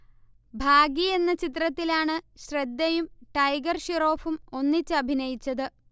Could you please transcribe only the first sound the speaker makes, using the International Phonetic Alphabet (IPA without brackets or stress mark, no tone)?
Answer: bʱ